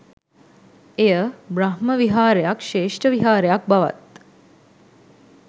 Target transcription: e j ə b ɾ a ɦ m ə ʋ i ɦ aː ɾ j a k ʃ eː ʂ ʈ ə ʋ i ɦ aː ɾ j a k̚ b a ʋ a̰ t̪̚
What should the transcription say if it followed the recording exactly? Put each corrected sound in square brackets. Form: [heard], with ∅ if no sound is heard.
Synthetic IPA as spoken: e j ə b ɾ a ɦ m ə ʋ i ɦ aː ɾ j a k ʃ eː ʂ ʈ ə ʋ i ɦ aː ɾ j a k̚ b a ʋ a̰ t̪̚